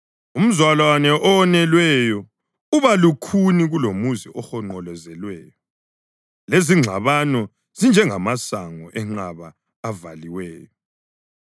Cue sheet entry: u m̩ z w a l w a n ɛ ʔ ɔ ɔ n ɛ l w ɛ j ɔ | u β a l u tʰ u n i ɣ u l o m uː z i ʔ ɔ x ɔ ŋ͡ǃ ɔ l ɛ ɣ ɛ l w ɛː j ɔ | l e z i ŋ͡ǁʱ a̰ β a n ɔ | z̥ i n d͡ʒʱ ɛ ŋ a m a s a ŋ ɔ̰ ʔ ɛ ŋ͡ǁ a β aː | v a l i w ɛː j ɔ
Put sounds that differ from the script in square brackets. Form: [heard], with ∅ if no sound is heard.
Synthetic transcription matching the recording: u m̩ z w a l w a n ɛ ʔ ɔ ɔ n ɛ l w ɛ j ɔ | u β a l u [kʰ] u n i ɣ u l o m [u] z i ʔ ɔ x ɔ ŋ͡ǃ ɔ l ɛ [z] ɛ l w ɛː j ɔ | l e z i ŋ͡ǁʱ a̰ β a n ɔ | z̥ i n d͡ʒʱ ɛ ŋ a m a s a ŋ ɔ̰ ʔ ɛ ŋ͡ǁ a β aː | v a l i w ɛː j ɔ